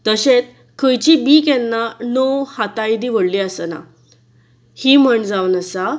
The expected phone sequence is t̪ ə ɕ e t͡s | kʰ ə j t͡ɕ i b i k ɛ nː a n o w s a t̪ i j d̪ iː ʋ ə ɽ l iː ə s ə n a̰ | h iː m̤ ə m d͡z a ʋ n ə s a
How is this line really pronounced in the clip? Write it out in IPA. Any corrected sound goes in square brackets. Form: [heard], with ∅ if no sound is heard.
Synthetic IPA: t̪ ə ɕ e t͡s | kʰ ə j t͡ɕ i b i k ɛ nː a n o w [h] a t̪ [a] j d̪ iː ʋ ə ɽ l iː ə s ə n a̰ | h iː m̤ ə [ɳ] d͡z a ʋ n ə s a